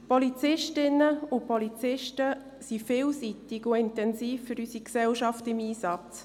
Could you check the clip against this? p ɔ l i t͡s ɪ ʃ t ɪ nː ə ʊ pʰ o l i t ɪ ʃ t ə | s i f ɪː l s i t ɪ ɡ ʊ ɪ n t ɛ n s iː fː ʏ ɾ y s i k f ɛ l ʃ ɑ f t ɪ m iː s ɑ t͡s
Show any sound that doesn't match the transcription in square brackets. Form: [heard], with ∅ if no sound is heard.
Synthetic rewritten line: p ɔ l i t͡s ɪ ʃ t ɪ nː ə ʊ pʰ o l i [t͡s] ɪ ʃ t ə | s i f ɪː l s i t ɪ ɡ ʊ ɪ n t ɛ n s iː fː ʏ ɾ y s i k [s] ɛ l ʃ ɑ f t ɪ m iː s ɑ t͡s